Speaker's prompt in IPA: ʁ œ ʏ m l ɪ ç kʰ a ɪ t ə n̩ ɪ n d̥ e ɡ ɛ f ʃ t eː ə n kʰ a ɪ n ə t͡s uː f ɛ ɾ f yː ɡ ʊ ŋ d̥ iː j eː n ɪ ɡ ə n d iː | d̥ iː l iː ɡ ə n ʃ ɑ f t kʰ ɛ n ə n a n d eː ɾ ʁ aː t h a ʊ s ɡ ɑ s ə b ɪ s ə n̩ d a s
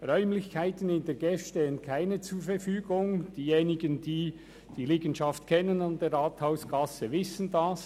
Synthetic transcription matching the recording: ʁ œ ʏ m l ɪ ç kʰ a ɪ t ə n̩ ɪ n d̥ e ɡ ɛ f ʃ t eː ə n kʰ a ɪ n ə t͡s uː f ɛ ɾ f yː ɡ ʊ ŋ d̥ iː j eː n ɪ ɡ ə n d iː | d̥ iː l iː ɡ ə n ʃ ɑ f t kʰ ɛ n ə n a n d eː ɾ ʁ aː t h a ʊ s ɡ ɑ s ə v ɪ s ə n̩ d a s